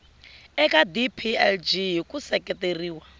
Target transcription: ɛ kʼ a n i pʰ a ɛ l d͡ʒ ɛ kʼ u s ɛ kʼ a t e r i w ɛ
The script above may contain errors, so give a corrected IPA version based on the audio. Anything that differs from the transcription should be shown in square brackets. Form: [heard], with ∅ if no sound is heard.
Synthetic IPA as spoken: ɛ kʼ a [d] i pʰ [i] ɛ l d͡ʒ [i] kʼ u s ɛ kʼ [ɛ] t e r [iː] w [a]